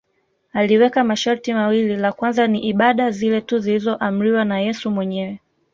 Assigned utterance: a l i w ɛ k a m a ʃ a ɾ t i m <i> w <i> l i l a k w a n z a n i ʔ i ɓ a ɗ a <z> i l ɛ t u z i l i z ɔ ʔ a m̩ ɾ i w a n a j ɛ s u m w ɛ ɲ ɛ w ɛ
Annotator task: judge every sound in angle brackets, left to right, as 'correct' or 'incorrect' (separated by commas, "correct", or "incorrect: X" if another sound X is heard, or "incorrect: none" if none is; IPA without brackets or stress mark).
incorrect: a, correct, correct